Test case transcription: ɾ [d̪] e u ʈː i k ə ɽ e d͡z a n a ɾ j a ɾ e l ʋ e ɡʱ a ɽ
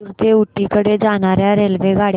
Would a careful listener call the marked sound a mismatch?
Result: yes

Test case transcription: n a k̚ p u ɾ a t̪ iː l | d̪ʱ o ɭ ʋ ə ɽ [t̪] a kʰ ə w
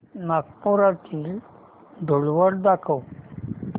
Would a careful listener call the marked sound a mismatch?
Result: yes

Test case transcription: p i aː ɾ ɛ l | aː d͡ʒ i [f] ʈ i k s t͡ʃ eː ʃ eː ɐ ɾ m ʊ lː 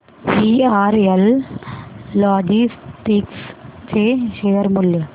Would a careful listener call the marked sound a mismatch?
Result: yes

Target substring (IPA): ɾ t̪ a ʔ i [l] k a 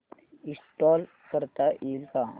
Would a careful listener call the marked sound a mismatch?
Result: no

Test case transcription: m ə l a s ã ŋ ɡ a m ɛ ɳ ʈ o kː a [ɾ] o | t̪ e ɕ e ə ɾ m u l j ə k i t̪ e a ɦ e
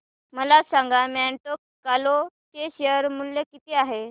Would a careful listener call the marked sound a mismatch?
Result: yes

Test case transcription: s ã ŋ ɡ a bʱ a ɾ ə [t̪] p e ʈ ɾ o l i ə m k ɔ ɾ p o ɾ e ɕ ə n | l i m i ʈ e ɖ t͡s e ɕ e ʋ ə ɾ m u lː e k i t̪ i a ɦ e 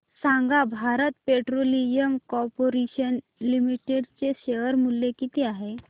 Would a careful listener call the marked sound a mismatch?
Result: no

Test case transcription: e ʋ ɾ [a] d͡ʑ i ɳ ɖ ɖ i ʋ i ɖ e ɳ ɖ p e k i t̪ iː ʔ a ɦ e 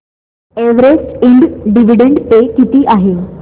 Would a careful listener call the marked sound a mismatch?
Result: yes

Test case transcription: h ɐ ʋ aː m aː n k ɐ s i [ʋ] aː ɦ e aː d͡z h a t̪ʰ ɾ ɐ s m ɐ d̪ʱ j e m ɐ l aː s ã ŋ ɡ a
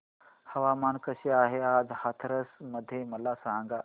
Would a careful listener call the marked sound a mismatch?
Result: yes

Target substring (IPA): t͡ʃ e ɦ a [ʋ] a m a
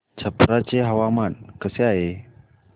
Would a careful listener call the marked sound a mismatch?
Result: yes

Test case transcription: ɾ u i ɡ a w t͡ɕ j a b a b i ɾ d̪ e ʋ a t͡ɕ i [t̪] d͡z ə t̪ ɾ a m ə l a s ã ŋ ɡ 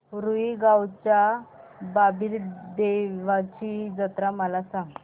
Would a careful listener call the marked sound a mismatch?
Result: yes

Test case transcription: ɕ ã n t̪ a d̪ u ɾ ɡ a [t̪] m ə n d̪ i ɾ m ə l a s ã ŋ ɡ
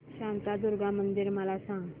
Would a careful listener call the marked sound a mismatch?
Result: yes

